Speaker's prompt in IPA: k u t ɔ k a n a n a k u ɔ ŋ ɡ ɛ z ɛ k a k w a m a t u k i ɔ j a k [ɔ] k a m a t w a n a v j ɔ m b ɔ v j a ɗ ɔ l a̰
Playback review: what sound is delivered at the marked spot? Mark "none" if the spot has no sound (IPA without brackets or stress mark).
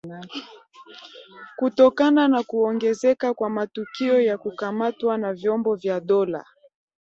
u